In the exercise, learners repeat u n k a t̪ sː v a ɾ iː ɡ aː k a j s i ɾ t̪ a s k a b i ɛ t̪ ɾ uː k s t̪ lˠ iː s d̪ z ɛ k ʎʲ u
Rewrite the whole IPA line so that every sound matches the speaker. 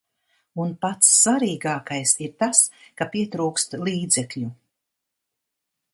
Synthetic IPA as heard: u n p a t̪ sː v a ɾ iː ɡ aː k a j s i ɾ t̪ a s k a p i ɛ t̪ ɾ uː k s t̪ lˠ iː d̪ z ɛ k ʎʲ u